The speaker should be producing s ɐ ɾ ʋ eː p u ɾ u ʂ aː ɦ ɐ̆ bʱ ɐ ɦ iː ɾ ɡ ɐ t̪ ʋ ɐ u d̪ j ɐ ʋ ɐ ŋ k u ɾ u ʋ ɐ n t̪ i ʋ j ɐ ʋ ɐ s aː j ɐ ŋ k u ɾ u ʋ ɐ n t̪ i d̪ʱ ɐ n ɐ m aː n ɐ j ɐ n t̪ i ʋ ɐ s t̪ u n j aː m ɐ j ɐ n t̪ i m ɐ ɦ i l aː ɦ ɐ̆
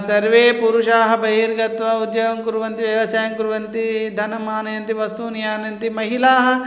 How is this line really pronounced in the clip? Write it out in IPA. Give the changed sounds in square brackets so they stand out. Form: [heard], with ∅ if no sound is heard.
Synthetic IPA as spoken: s ɐ ɾ ʋ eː p u ɾ u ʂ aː ɦ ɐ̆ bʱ ɐ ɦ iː ɾ ɡ ɐ t̪ ʋ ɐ u d̪ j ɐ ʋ ɐ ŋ k u ɾ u ʋ ɐ n t̪ i ʋ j ɐ ʋ ɐ s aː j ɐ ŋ k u ɾ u ʋ ɐ n t̪ i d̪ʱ ɐ n ɐ m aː n ɐ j ɐ n t̪ i ʋ ɐ s t̪ u n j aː [n] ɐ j ɐ n t̪ i m ɐ ɦ i l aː ɦ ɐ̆